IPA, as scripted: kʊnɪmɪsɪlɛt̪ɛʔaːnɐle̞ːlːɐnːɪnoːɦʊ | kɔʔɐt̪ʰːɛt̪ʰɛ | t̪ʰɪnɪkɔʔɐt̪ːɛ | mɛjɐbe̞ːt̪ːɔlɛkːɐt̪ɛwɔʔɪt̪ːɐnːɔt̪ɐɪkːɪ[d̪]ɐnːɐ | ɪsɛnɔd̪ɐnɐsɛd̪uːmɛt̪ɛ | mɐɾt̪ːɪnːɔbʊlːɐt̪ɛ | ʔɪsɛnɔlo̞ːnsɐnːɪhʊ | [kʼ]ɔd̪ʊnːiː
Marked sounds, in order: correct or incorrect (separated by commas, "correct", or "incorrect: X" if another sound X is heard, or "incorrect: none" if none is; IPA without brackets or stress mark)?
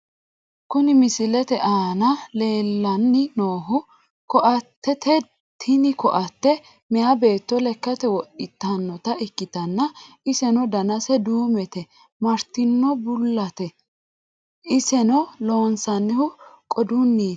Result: incorrect: t̪, correct